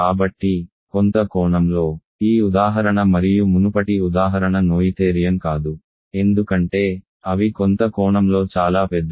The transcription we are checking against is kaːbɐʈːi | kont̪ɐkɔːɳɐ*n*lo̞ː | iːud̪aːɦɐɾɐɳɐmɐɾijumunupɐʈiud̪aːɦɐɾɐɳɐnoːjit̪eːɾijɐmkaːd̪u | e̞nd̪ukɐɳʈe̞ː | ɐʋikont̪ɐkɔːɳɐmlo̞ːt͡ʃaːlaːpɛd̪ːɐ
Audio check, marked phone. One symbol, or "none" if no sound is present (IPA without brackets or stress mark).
m